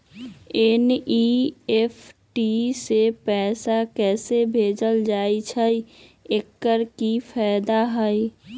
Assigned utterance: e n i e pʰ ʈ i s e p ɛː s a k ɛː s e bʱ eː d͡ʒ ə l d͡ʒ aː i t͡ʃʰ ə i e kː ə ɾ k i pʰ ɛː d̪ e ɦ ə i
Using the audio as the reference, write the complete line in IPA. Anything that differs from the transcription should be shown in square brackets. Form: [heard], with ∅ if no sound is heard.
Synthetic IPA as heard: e n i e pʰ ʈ i s e p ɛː s a k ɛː s e bʱ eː d͡ʒ ə l d͡ʒ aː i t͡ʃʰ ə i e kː ə ɾ k i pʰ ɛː d̪ [a] ɦ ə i